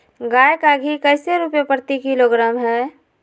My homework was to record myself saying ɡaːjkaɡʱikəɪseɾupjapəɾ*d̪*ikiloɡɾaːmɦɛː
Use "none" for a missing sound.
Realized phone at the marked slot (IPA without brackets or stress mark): t̪